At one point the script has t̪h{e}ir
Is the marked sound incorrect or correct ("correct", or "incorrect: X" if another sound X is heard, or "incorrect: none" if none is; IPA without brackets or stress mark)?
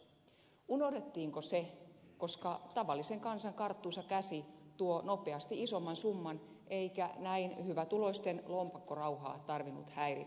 incorrect: æ